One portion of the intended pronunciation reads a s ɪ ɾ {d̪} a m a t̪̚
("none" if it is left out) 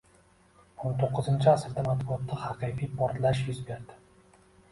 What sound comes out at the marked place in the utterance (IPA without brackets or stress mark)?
d̪